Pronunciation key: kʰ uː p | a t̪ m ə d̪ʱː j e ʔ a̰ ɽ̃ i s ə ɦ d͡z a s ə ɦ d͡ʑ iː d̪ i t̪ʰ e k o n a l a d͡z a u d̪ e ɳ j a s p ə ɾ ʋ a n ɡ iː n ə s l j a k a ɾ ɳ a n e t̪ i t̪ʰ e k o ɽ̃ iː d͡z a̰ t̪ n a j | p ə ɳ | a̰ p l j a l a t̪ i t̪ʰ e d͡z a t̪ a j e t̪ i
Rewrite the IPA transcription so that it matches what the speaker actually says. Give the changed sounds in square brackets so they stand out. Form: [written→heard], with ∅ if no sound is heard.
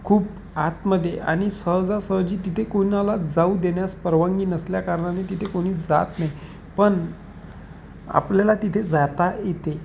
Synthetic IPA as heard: kʰ uː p | a t̪ m ə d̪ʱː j e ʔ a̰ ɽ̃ i s ə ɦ d͡z a s ə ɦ d͡ʑ iː [d̪→t̪] i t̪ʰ e k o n a l a d͡z a u d̪ e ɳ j a s p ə ɾ ʋ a [n→ŋ] ɡ iː n ə s l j a k a ɾ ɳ a n e t̪ i t̪ʰ e k o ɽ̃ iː d͡z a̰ t̪ n a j | p ə ɳ | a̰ p l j a l a t̪ i t̪ʰ e d͡z a t̪ a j e t̪ [i→e]